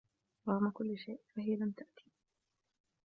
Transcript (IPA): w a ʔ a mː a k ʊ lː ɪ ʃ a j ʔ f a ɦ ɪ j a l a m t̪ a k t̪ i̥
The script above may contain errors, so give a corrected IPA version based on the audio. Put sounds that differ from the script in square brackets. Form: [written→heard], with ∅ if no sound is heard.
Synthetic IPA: w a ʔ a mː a k ʊ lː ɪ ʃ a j ʔ f a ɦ ɪ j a l a m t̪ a [k→ʔ] t̪ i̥